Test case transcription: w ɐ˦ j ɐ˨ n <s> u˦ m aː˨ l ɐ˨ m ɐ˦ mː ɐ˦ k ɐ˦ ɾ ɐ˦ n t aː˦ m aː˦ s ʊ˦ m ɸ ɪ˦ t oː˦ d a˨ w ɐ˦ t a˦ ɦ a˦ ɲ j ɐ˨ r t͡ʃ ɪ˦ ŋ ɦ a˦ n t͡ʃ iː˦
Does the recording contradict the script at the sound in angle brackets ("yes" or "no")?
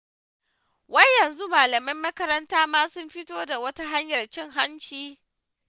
yes